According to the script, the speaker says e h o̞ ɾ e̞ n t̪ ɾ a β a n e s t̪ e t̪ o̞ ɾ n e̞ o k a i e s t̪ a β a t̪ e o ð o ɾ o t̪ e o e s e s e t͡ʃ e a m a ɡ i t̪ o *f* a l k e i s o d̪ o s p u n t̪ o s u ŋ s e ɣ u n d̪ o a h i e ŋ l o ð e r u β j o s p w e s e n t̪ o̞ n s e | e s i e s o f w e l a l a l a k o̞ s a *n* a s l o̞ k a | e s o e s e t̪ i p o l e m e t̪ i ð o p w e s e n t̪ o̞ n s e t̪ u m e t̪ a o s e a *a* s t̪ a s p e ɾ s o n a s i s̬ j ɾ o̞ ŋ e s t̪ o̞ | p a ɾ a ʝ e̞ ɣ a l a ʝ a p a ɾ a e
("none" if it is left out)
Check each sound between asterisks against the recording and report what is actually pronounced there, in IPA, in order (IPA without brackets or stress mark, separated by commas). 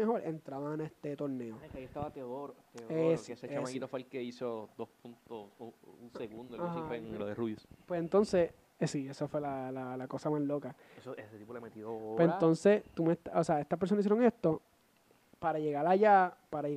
f, m, e